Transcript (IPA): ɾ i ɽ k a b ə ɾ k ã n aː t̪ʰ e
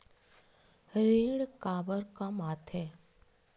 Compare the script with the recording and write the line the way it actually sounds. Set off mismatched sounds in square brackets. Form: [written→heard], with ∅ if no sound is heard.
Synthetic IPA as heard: ɾ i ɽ k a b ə ɾ k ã [n→m] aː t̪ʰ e